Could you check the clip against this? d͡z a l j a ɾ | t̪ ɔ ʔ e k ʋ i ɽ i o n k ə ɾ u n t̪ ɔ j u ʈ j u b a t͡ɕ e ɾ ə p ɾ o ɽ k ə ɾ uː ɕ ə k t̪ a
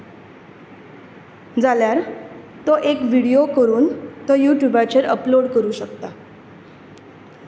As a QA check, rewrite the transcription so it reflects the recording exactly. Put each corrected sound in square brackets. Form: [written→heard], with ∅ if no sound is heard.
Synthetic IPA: d͡z a l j a ɾ | t̪ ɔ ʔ e k ʋ i ɽ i o [n→∅] k ə ɾ [u→uː] n t̪ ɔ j u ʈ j u b a t͡ɕ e ɾ ə p [ɾ→l] o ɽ k ə ɾ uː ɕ ə k t̪ a